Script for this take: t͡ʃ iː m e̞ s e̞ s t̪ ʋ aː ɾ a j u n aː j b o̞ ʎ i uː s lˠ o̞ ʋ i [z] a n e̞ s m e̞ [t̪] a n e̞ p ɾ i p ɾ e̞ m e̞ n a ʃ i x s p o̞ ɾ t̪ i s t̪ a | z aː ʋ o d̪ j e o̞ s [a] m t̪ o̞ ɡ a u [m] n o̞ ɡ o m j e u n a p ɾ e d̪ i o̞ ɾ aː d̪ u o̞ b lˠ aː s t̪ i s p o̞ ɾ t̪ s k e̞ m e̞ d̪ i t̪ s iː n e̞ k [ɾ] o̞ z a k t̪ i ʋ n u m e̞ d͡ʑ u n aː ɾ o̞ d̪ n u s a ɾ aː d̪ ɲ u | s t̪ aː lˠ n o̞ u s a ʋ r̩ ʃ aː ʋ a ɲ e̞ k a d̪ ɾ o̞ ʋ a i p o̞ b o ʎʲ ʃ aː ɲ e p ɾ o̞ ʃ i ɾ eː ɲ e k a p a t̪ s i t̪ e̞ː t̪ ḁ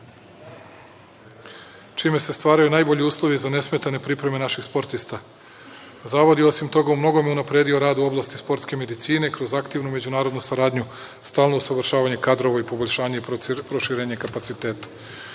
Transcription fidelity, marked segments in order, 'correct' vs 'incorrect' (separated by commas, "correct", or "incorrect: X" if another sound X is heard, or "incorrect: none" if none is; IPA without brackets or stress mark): correct, correct, incorrect: i, correct, correct